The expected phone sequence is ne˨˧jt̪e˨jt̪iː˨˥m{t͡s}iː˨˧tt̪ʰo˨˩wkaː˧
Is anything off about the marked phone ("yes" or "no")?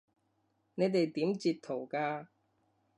no